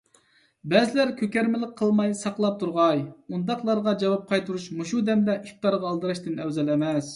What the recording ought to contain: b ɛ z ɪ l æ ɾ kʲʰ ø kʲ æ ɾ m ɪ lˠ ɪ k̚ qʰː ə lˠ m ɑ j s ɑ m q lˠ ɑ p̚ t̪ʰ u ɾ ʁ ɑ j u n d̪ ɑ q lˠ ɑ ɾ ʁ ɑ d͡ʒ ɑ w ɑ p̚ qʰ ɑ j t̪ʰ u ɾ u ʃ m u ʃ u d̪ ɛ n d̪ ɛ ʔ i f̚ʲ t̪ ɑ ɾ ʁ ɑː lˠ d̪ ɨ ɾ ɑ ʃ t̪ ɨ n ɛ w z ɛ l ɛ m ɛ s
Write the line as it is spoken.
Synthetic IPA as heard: b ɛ z ɪ l æ ɾ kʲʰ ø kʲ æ ɾ m ɪ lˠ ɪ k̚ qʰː ə lˠ m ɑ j s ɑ q lˠ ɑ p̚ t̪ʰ u ɾ ʁ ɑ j u n d̪ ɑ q lˠ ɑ ɾ ʁ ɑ d͡ʒ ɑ w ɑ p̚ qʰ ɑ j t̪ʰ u ɾ u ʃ m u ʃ u d̪ ɛ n d̪ ɛ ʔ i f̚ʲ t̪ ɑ ɾ ʁ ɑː lˠ d̪ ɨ ɾ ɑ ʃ t̪ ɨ n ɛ w z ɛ l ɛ m ɛ s